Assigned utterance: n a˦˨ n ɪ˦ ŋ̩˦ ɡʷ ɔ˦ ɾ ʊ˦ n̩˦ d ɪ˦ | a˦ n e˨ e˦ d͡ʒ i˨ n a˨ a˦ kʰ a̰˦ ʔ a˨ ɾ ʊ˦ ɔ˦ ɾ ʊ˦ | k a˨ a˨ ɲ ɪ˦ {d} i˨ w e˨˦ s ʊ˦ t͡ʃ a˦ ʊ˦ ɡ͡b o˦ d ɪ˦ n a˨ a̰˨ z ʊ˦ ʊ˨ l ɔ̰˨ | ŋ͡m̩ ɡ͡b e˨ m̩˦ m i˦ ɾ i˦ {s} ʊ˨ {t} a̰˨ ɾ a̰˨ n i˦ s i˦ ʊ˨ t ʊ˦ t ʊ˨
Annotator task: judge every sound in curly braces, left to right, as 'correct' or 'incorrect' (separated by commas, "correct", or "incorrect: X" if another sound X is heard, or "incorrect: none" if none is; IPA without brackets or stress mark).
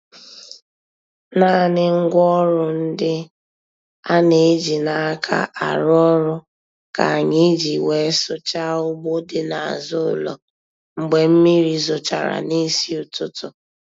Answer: incorrect: d͡ʒ, incorrect: z, incorrect: t͡ʃ